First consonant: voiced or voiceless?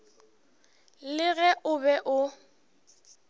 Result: voiced